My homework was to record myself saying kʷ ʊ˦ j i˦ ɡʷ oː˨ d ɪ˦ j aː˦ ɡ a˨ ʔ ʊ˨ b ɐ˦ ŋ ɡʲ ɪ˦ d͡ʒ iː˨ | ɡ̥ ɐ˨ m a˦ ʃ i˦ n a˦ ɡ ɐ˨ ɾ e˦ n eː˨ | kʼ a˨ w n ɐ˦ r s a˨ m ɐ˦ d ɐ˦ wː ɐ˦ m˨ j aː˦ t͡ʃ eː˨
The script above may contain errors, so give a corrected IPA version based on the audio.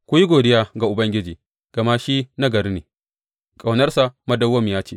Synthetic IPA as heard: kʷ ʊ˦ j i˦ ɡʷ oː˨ d ɪ˦ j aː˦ ɡ a˨ ʔ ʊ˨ b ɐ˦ ŋ ɡʲ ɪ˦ d͡ʒ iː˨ | ɡ̥ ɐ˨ m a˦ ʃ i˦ n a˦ ɡ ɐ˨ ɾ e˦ n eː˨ | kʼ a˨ w n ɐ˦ r s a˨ m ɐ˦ d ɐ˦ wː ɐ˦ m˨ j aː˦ t͡ʃ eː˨